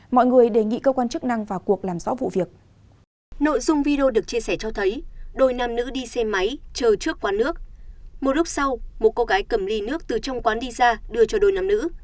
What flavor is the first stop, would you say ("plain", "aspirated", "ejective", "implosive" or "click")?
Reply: implosive